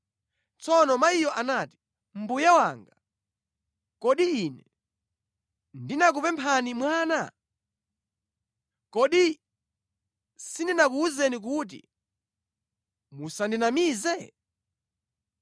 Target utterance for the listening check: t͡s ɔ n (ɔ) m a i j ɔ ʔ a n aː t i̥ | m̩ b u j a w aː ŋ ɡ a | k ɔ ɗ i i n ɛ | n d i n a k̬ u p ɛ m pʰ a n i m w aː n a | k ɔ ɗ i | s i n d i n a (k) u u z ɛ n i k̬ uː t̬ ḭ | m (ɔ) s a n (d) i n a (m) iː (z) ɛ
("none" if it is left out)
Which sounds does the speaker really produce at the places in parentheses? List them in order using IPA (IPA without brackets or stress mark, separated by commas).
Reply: ɔ, k, u, d, m, z